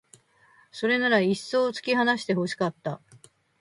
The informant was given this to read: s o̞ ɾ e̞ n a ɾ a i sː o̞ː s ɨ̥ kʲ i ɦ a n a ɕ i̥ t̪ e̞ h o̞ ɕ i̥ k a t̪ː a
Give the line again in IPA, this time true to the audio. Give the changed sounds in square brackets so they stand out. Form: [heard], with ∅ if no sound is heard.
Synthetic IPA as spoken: s o̞ ɾ e̞ n a ɾ a i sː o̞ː [t͡s] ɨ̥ kʲ i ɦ a n a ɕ i̥ t̪ e̞ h o̞ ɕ i̥ k a t̪ː a